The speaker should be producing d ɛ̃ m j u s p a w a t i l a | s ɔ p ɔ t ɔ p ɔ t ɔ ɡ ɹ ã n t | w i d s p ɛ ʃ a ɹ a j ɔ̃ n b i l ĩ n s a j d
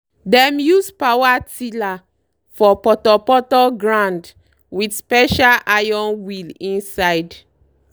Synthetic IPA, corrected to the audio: d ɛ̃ m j u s p a w a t i l a | f ɔ p ɔ t ɔ p ɔ t ɔ ɡ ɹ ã n d | w i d s p ɛ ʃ a l a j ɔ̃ n w i l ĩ n s a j d